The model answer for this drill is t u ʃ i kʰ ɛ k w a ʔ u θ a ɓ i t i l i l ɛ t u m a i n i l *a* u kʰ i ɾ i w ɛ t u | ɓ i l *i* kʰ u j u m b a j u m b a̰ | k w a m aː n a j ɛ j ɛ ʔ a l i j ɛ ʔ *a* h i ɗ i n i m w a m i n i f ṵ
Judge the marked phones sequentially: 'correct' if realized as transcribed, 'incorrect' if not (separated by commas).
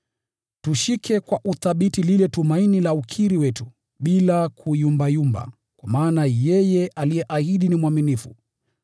correct, incorrect, correct